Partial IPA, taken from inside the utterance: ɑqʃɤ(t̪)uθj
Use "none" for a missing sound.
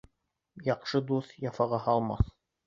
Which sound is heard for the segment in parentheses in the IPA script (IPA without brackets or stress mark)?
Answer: d̪